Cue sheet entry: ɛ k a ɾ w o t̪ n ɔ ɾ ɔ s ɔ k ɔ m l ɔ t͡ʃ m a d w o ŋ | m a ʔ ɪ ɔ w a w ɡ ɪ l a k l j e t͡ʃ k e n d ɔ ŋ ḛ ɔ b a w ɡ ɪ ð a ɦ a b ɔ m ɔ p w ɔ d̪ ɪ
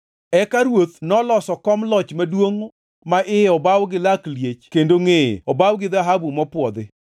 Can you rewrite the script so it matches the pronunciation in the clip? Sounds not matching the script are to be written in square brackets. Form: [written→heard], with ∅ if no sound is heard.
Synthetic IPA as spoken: ɛ k a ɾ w o t̪ n ɔ [ɾ→l] ɔ s ɔ k ɔ m l ɔ t͡ʃ m a d w o ŋ | m a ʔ ɪ ɔ [w→b] a w ɡ ɪ l a k l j e t͡ʃ k e n d [ɔ→o] ŋ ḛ ɔ b a w ɡ ɪ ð a ɦ a b [ɔ→u] m ɔ p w ɔ d̪ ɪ